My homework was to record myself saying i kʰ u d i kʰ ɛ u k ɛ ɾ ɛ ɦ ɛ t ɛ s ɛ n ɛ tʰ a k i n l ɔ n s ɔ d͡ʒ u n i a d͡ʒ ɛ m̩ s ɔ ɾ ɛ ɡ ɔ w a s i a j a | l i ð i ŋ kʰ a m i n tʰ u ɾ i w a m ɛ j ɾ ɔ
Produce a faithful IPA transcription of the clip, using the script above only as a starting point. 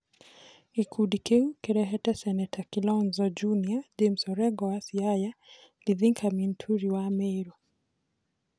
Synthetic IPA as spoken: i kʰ u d i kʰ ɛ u k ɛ ɾ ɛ ɦ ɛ t ɛ s ɛ n ɛ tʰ a k i l ɔ n z ɔ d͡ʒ u n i a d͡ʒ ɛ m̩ s ɔ ɾ ɛ ɡ ɔ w a s i a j a | l i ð i ŋ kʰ a m i n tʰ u ɾ i w a m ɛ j ɾ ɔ